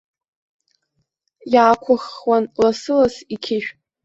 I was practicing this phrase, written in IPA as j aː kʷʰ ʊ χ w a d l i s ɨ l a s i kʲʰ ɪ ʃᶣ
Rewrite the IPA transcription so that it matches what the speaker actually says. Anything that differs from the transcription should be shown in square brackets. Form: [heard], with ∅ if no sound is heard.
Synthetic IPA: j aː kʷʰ ʊ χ w a [n] l [a] s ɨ l a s i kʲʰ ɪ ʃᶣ

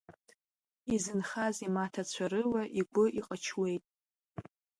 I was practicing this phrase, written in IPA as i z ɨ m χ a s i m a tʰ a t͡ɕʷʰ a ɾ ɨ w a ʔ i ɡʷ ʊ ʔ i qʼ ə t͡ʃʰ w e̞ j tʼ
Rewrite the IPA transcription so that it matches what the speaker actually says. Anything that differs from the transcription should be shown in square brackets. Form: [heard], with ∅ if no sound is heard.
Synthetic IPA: i z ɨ [n] χ a [z] i m a tʰ a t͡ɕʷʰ a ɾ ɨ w a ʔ i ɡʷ ʊ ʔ i qʼ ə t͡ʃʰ w e̞ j tʼ

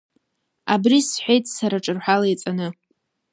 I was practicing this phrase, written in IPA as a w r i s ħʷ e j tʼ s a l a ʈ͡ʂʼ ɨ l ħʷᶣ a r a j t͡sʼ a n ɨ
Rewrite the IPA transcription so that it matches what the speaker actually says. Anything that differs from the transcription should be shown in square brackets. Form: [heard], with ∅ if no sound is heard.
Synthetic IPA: a [b] r i s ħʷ e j tʼ s a [ɾ] a ʈ͡ʂʼ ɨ [r] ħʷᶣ a [l] a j t͡sʼ a n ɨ

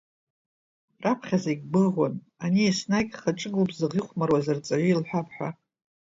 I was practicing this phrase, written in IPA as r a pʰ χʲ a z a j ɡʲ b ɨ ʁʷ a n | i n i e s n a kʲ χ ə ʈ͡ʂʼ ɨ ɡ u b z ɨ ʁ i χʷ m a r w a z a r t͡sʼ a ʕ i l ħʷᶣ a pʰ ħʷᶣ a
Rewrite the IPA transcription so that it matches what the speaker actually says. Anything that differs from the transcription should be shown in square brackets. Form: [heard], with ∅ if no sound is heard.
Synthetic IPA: r a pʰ χʲ a z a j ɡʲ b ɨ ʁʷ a n | [a] n i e s n a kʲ χ [a] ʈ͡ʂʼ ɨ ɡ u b z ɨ ʁ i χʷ m a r w a z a r t͡sʼ a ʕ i l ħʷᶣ a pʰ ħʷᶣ a

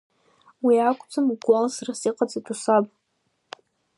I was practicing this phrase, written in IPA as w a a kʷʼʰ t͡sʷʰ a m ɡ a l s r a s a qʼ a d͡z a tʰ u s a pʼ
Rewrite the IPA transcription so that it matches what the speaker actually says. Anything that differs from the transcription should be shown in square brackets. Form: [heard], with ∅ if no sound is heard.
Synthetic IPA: w [i] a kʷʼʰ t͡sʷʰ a m ɡ a l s r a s [i] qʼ a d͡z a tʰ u s a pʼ

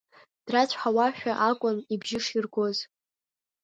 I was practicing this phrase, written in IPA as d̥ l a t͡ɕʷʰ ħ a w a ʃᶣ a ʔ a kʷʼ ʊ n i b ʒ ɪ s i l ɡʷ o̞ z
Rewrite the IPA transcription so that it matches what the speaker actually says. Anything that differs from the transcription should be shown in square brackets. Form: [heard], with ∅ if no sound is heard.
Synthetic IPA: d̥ [r] a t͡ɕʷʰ ħ a w a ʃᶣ a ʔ a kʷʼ ʊ n i b ʒ ɪ [ʂ] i [r] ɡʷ o̞ z

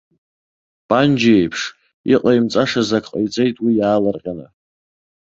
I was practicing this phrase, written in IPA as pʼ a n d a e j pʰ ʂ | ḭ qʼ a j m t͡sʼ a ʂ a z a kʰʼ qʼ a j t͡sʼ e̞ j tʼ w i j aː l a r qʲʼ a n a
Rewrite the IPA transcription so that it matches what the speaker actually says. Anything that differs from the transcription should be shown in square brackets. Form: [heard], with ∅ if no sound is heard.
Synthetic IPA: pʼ a n [d͡ʒ] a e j pʰ ʂ | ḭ qʼ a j m t͡sʼ a ʂ a z a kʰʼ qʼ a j t͡sʼ e̞ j tʼ w i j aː l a r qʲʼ a n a

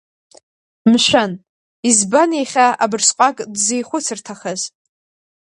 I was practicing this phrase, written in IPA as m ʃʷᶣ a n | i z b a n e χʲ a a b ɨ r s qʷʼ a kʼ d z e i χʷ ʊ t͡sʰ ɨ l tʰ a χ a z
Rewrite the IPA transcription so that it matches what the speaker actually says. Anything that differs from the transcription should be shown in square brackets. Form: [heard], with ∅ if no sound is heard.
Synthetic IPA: m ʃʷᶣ a n | i z b a n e χʲ a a b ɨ r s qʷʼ a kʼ d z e [j] χʷ ʊ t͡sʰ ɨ [r] tʰ a χ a z

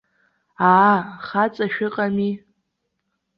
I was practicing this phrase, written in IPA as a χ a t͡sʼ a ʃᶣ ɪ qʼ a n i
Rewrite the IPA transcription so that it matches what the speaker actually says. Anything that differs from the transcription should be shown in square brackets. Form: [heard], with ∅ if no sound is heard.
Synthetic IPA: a χ a t͡sʼ a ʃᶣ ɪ qʼ a [m] i

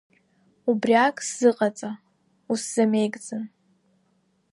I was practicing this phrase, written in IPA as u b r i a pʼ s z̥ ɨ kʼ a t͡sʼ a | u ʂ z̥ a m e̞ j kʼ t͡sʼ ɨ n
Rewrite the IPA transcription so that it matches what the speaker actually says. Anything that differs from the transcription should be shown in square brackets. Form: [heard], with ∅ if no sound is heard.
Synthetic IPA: u b r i a [kʼ] s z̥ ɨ [qʼ] a t͡sʼ a | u [s] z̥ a m e̞ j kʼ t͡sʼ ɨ n

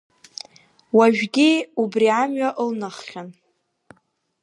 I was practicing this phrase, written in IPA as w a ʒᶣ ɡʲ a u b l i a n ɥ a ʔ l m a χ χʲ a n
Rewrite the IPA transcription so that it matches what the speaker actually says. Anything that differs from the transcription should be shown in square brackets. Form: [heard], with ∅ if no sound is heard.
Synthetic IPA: w a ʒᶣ ɡʲ [i] u b [r] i a [m] ɥ a ʔ l [n] a χ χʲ a n

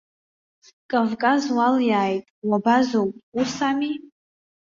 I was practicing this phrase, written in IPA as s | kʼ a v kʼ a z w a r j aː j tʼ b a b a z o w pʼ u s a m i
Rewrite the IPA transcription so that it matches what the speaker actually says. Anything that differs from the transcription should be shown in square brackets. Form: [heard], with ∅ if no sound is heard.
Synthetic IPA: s | kʼ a v kʼ a z w a [l] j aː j tʼ [w] a b a z o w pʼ u s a m i

